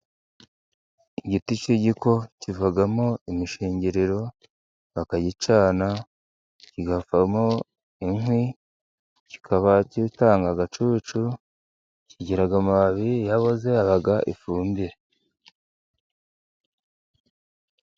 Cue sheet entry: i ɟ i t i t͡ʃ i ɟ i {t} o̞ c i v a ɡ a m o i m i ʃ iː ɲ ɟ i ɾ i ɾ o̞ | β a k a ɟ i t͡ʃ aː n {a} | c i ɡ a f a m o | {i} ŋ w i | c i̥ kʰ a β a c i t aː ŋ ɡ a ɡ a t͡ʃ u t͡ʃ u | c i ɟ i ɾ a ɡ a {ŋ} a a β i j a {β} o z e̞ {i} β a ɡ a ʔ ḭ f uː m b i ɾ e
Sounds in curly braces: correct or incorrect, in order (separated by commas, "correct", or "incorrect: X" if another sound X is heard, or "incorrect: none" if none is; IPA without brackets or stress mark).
incorrect: k, correct, correct, incorrect: m, correct, incorrect: a